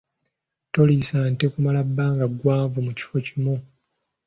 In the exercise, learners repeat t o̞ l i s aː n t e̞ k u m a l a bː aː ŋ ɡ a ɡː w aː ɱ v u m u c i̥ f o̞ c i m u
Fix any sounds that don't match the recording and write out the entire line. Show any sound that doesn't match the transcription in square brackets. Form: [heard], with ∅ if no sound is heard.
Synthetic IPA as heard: t o̞ l i s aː n t e̞ k u m a l a bː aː ŋ ɡ a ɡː w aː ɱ v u m u c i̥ f o̞ c i m u